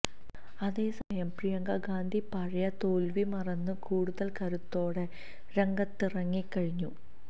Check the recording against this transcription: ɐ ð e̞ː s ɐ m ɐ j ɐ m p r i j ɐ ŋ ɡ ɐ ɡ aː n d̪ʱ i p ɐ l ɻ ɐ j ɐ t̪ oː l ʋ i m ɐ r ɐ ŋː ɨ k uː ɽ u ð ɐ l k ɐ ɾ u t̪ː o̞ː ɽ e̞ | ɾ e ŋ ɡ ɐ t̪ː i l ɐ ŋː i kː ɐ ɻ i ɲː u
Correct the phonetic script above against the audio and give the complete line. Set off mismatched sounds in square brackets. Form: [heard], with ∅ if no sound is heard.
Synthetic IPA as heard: ɐ ð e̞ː s ɐ m ɐ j ɐ m p r i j ɐ ŋ ɡ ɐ ɡ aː n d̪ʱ i p ɐ [∅] ɻ ɐ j ɐ t̪ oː l ʋ i m ɐ r ɐ [nː] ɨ k uː ɽ u ð ɐ l k ɐ ɾ u t̪ː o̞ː ɽ e̞ | ɾ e ŋ ɡ ɐ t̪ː i [r] ɐ ŋː i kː ɐ ɻ i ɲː u

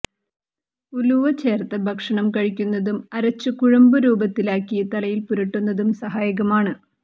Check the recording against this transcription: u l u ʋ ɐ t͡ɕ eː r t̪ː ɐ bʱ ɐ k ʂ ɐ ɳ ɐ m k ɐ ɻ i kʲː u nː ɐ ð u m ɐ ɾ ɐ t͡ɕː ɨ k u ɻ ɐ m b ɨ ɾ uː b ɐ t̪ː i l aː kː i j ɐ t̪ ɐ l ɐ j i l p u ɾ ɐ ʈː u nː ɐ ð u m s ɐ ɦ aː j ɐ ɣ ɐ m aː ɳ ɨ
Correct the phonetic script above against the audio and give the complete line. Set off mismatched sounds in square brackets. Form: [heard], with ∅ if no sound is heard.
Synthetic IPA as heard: u l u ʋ ɐ t͡ɕ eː r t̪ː ɐ bʱ ɐ k ʂ ɐ ɳ ɐ m k ɐ ɻ i kʲː u nː ɐ ð u m ɐ ɾ ɐ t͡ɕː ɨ k u ɻ ɐ m b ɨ ɾ uː b ɐ t̪ː i l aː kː i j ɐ t̪ ɐ l ɐ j i l p u ɾ ɐ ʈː u nː ɐ ð u m s ɐ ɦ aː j ɐ ɣ ɐ m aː ɳ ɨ

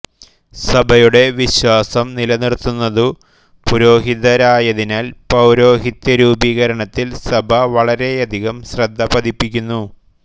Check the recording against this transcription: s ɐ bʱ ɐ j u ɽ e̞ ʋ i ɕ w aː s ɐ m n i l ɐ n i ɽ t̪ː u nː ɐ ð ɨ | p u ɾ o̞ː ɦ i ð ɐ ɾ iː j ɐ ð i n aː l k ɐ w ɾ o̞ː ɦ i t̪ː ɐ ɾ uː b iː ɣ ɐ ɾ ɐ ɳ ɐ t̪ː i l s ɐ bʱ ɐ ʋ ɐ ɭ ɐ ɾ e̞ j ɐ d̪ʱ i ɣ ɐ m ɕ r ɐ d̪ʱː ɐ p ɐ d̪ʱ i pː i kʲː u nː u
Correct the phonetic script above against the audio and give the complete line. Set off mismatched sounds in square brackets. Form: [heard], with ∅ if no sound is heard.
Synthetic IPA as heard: s ɐ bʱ ɐ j u ɽ e̞ ʋ i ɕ w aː s ɐ m n i l ɐ n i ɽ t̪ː u nː ɐ ð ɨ | p u ɾ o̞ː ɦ i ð ɐ ɾ [aː] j ɐ ð i n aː l [p] ɐ w ɾ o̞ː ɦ i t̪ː ɐ ɾ uː b iː ɣ ɐ ɾ ɐ ɳ ɐ t̪ː i l s ɐ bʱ ɐ ʋ ɐ ɭ ɐ ɾ e̞ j ɐ d̪ʱ i ɣ ɐ m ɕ r ɐ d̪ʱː ɐ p ɐ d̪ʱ i pː i kʲː u nː u

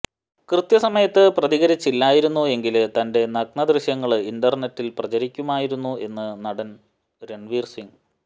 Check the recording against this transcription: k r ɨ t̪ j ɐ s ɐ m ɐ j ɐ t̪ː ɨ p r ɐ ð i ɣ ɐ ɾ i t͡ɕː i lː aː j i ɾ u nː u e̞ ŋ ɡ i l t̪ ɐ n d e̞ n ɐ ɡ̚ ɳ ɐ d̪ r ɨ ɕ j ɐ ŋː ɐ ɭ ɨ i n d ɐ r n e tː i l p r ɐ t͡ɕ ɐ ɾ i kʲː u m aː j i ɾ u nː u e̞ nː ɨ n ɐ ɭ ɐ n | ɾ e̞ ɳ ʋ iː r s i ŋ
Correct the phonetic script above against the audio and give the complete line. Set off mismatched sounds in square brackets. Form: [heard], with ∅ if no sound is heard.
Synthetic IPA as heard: k r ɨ t̪ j ɐ s ɐ m ɐ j ɐ t̪ː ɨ p r ɐ ð i ɣ ɐ ɾ i t͡ɕː i lː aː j i ɾ u nː u e̞ ŋ ɡ i l t̪ ɐ n d e̞ n ɐ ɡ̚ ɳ ɐ d̪ r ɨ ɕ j ɐ ŋː ɐ ɭ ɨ i n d ɐ r n e tː i l p r ɐ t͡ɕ ɐ ɾ i kʲː u m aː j i ɾ u nː u e̞ nː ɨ n ɐ [ɽ] ɐ n | ɾ e̞ ɳ ʋ iː r s i ŋ

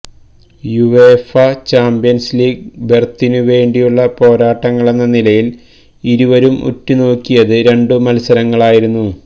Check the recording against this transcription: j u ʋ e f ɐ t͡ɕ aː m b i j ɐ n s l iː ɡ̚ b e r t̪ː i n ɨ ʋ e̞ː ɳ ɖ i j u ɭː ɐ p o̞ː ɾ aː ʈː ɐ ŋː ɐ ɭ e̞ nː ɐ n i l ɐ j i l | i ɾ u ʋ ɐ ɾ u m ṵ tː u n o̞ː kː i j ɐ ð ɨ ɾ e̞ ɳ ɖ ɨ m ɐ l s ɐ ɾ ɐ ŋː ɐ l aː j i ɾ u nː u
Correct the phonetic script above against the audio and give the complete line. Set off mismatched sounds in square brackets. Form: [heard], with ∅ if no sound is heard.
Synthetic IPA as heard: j u ʋ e f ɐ t͡ɕ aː m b i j ɐ n s l iː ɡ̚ b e r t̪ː i n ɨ ʋ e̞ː ɳ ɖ i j u ɭː ɐ p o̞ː ɾ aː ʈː ɐ ŋː ɐ ɭ e̞ nː ɐ n i l ɐ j i l | i ɾ u ʋ ɐ ɾ u m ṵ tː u n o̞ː kː i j ɐ ð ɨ ɾ e̞ ɳ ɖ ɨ m ɐ l s ɐ ɾ ɐ ŋː ɐ [ɭ] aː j i ɾ u nː u

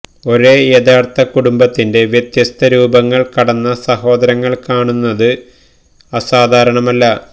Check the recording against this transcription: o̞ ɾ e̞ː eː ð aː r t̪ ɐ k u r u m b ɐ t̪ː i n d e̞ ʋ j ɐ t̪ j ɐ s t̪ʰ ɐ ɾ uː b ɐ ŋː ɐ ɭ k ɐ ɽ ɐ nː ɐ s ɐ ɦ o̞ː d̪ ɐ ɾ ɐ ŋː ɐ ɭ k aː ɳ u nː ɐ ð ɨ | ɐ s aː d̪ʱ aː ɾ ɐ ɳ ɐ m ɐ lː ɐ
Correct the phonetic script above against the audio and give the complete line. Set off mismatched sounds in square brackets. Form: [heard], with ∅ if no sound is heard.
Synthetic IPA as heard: o̞ ɾ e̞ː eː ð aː r t̪ ɐ k u [ɽ] u m b ɐ t̪ː i n d e̞ ʋ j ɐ t̪ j ɐ s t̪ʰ ɐ ɾ uː b ɐ ŋː ɐ ɭ k ɐ ɽ ɐ nː ɐ s ɐ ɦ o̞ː d̪ ɐ ɾ ɐ ŋː ɐ ɭ k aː ɳ u nː ɐ ð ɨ | ɐ s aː d̪ʱ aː ɾ ɐ ɳ ɐ m ɐ lː ɐ

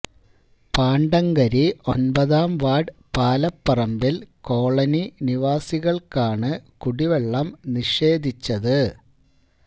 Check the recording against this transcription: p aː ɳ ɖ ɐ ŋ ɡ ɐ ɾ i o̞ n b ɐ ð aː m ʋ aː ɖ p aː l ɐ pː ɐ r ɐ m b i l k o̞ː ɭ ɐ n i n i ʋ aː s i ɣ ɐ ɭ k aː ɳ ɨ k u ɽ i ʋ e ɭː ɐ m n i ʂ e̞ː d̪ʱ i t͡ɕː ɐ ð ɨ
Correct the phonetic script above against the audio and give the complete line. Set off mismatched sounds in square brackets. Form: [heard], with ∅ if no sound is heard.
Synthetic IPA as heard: p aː ɳ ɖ ɐ ŋ ɡ ɐ ɾ i o̞ n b ɐ ð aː m ʋ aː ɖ p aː l ɐ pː ɐ r ɐ m b i l k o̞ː ɭ ɐ n i n i ʋ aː s i ɣ ɐ ɭ k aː ɳ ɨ k u ɽ i ʋ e ɭː ɐ m n i ʂ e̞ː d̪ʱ i t͡ɕː ɐ ð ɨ

